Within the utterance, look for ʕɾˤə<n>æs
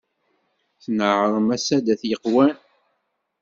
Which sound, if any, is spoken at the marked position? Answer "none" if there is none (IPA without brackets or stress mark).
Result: m